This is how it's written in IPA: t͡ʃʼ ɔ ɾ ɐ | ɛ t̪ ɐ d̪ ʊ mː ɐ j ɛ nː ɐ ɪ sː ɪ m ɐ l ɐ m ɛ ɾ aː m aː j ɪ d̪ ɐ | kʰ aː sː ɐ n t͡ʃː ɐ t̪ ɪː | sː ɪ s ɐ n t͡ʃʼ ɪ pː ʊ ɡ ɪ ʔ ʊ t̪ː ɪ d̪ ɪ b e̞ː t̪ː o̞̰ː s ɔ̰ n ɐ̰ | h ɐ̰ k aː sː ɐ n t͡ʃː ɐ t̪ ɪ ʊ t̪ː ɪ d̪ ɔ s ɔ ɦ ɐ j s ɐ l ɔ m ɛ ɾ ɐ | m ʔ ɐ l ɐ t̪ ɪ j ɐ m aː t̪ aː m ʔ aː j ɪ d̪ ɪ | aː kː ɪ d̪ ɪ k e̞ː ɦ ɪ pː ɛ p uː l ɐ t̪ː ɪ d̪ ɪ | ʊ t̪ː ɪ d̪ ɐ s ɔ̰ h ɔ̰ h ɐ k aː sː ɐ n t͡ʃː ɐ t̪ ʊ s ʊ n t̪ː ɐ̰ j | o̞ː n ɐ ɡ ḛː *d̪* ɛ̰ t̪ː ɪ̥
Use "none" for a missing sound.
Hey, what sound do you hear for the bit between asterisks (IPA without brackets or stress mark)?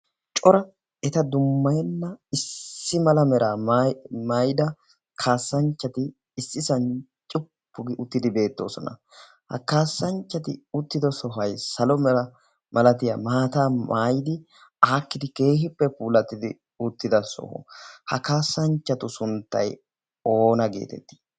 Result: t̪